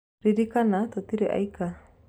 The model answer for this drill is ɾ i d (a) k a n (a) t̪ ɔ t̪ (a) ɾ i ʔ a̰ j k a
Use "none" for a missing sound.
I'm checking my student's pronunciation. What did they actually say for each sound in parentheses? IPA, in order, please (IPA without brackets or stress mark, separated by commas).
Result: i, a, i